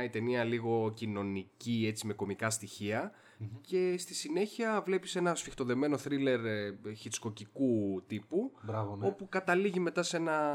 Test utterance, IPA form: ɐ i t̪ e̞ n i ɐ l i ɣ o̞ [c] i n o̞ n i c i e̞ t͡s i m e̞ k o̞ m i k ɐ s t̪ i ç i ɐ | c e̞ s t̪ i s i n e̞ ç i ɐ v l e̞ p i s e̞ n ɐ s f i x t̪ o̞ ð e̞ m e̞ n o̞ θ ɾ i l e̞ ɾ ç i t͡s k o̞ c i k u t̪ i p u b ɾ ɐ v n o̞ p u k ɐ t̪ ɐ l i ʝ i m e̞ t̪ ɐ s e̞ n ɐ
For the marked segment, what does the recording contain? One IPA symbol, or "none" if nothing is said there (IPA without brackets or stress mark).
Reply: c